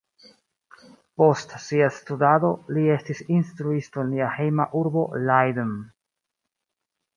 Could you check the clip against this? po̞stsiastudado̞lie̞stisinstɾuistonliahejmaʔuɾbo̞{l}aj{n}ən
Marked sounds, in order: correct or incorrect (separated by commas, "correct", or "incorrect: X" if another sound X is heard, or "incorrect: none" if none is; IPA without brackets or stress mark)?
correct, incorrect: d